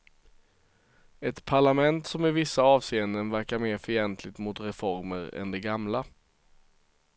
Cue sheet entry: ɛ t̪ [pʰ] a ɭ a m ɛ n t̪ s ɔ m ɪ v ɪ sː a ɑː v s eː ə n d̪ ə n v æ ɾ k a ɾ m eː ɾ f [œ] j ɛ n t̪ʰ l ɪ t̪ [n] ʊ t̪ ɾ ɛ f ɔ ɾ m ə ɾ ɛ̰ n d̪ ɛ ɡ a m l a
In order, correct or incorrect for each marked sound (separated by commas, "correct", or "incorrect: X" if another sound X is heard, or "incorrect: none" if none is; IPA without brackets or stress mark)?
correct, correct, incorrect: m